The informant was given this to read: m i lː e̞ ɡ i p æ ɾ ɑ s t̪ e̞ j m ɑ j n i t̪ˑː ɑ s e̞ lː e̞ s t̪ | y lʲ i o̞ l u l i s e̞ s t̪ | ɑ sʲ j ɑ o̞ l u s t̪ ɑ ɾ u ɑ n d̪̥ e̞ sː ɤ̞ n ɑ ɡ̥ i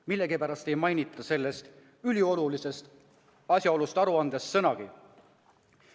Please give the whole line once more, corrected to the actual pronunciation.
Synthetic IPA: m i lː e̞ ɡ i p æ ɾ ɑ s t̪ e̞ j m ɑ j n i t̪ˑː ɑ s e̞ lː e̞ s t̪ | y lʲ i o̞ l u l i s e̞ s t̪ | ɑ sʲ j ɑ o̞ l u s t̪ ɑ ɾ u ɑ n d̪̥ e̞ sː ɤ̞ n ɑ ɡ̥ i